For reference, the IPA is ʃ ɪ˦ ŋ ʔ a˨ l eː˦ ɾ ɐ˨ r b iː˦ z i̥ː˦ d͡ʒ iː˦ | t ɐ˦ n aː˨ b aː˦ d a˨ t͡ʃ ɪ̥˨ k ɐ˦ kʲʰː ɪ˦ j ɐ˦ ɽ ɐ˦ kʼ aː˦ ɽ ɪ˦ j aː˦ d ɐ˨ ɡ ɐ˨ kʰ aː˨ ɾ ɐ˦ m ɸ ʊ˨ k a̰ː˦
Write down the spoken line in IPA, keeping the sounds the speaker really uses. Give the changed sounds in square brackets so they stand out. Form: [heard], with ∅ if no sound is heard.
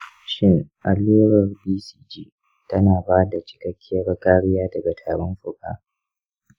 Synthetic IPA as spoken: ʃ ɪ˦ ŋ ʔ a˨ l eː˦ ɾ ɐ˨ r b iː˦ [s] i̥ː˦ d͡ʒ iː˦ | t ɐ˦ n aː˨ b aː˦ d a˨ t͡ʃ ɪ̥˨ k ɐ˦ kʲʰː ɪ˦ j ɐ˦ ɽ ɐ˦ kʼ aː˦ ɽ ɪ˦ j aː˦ d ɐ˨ ɡ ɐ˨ [tʰ] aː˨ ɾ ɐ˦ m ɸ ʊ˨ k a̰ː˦

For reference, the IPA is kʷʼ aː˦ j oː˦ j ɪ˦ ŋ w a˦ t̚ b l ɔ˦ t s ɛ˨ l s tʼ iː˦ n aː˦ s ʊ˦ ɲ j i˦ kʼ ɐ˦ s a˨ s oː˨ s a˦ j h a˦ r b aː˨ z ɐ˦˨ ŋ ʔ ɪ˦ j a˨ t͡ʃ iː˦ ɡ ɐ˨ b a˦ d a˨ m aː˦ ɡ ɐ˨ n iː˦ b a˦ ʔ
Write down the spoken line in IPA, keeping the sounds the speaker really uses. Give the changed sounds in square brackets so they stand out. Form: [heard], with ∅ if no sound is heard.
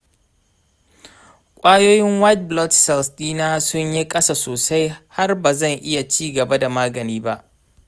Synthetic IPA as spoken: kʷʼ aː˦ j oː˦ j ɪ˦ ŋ w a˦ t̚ b l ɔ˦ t s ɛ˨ l s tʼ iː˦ n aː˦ s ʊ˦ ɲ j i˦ kʼ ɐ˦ s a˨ s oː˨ s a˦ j h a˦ r b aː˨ z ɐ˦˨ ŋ ʔ ɪ˦ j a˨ t͡ʃ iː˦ ɡ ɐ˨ b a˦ d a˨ m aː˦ ɡ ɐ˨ n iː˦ b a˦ ʔ

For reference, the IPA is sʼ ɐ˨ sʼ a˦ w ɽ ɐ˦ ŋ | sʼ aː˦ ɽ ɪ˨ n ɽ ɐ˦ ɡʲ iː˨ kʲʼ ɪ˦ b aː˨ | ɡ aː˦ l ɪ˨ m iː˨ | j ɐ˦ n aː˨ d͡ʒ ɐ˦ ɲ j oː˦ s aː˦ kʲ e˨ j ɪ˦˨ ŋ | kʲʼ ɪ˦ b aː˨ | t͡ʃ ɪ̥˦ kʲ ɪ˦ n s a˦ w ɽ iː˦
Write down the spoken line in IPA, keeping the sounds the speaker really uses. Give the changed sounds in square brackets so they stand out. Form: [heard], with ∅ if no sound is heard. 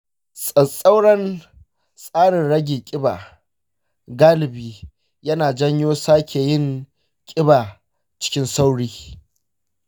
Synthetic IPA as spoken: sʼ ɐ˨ sʼ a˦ w ɽ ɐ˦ [n] | sʼ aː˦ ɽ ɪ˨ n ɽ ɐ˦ ɡʲ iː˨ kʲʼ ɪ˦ b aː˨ | ɡ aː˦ l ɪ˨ [b] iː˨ | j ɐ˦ n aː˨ d͡ʒ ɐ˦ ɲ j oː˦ s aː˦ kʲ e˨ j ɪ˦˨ ŋ | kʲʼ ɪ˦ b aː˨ | t͡ʃ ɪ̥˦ kʲ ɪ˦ n s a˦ w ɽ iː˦

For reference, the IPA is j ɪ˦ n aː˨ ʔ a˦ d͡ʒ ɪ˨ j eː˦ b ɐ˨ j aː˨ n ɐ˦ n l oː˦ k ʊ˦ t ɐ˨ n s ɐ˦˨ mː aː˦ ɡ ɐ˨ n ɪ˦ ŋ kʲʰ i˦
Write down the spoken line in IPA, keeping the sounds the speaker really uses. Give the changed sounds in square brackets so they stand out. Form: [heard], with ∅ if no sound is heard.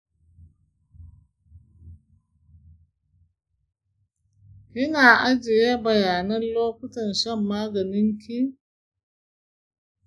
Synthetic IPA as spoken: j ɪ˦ n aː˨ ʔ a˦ d͡ʒ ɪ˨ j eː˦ b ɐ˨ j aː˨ n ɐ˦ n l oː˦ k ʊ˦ t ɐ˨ n [ʃ] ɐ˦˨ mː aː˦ ɡ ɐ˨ n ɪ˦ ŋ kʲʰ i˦

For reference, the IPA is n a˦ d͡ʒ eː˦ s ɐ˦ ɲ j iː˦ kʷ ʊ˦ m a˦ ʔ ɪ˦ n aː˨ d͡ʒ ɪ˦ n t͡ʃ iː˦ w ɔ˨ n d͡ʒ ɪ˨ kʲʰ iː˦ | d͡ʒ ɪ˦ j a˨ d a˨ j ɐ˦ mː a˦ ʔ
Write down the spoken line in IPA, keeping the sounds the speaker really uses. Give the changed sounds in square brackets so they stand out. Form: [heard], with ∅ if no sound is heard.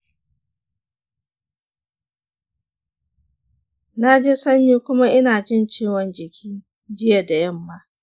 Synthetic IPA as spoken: n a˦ d͡ʒ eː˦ s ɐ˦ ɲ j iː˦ kʷ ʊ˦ m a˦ ʔ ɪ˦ n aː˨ d͡ʒ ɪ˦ n t͡ʃ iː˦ w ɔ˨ n d͡ʒ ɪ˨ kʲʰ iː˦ | d͡ʒ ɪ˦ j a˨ d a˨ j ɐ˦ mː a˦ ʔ

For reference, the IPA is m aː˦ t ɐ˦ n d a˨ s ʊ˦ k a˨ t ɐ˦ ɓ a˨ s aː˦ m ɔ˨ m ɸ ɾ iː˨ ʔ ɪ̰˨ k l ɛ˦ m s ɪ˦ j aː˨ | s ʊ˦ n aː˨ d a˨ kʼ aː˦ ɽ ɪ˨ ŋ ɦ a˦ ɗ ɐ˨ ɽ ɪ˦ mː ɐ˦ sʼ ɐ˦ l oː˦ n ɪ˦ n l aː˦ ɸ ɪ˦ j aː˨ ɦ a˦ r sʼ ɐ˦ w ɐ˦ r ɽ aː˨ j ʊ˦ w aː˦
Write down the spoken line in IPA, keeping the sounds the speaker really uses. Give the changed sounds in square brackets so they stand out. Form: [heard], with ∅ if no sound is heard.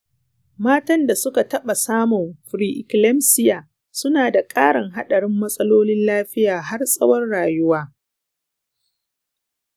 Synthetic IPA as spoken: m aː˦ t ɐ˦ n d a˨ s ʊ˦ k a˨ t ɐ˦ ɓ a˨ s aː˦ m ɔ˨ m ɸ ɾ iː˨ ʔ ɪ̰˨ k l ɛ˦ m s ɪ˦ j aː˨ | s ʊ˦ n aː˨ d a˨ kʼ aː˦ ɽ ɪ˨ ŋ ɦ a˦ ɗ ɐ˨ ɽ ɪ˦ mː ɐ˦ sʼ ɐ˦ l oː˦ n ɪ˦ n l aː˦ ɸ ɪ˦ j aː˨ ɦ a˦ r sʼ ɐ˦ w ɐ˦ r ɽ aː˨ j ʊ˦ w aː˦

